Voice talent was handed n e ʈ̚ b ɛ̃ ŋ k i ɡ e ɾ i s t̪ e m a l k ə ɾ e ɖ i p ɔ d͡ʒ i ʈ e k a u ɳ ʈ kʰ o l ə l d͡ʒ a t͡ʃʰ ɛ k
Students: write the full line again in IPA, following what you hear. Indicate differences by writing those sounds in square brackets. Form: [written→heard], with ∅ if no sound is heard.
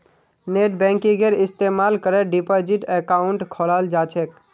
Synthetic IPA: n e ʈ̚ b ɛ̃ ŋ k i ɡ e ɾ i s t̪ e m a l k ə ɾ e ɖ i p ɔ d͡ʒ i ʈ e k a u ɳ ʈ kʰ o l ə l d͡ʒ a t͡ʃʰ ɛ k